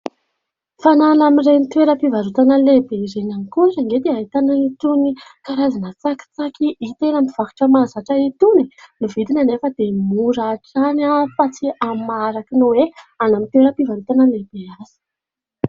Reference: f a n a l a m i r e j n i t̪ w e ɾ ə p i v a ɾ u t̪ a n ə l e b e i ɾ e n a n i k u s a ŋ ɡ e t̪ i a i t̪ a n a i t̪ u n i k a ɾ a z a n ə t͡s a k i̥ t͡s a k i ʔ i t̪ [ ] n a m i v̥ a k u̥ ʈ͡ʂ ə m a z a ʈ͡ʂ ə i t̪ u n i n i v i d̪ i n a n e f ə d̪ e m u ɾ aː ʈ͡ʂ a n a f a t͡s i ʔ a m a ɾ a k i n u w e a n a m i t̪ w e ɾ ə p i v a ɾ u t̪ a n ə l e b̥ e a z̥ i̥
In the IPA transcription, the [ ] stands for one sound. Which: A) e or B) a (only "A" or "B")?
A